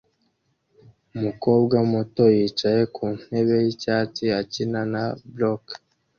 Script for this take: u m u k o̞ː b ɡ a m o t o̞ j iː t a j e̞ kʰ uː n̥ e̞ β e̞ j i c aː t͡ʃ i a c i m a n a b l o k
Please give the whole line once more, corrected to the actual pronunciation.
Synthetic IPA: u m u k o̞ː b ɡ a m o t o̞ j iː t͡ʃ a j e̞ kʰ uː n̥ e̞ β e̞ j i c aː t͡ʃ i a c i n a n a b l o k